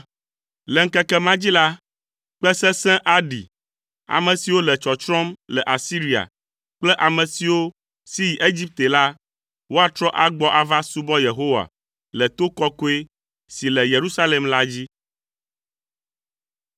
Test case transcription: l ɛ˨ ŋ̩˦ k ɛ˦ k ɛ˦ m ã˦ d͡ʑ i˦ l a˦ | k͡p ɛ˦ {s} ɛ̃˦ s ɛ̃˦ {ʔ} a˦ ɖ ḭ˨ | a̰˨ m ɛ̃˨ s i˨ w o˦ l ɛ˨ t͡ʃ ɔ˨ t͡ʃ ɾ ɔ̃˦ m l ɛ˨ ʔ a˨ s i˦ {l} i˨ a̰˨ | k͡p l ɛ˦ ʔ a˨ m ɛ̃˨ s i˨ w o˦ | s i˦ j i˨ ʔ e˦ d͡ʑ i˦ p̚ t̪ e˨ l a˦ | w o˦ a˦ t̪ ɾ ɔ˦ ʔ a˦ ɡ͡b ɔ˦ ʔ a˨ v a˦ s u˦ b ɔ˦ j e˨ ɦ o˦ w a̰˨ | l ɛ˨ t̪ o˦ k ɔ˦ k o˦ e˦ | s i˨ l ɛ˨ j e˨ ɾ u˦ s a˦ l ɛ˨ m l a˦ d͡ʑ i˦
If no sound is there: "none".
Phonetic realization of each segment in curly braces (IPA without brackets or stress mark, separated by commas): s, ʔ, ɾ